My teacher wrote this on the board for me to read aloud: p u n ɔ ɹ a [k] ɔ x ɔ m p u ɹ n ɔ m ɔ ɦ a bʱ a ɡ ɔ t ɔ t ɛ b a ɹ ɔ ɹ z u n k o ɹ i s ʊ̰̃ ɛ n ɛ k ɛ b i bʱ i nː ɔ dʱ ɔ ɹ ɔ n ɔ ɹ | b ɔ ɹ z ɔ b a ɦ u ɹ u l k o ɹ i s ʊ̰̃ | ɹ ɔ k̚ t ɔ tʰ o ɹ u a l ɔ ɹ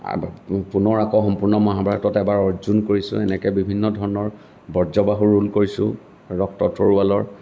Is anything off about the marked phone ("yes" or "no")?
no